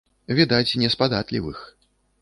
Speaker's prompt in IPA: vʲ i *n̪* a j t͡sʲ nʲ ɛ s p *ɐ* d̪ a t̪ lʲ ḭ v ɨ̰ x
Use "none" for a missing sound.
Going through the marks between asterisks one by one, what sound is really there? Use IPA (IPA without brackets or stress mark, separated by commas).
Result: d̪, a